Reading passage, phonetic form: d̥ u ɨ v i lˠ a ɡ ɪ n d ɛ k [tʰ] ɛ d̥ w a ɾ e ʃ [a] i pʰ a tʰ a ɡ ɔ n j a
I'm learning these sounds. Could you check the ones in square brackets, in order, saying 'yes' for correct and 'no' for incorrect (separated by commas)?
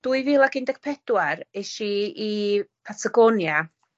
no, no